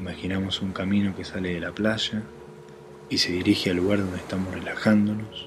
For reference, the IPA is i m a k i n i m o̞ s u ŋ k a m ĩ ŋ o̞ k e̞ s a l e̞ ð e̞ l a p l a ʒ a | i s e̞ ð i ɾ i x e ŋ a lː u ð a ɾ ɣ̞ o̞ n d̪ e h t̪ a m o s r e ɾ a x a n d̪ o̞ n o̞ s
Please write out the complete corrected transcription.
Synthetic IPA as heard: i m a x i n a m o̞ s u ŋ k a m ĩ n o̞ k e̞ s a l e̞ ð e̞ l a p l a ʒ a | i s e̞ ð i ɾ i x e a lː u ɣ a ɾ ð̞ o̞ n d̪ e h t̪ a m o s r e l a x a n d̪ o̞ n o̞ s